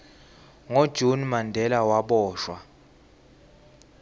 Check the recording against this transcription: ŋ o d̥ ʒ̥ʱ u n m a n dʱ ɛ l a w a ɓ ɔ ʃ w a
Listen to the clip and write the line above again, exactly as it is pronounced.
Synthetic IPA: ŋ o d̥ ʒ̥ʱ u n m a n dʱ ɛ l a w a ɓ ɔː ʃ w a